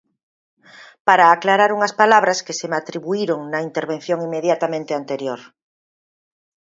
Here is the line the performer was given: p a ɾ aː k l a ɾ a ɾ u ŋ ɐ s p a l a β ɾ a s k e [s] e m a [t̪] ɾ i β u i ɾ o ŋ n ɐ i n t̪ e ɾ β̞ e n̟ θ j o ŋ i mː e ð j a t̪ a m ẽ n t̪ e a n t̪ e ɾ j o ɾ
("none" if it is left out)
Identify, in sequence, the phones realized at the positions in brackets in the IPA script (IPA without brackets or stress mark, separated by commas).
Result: s, t̪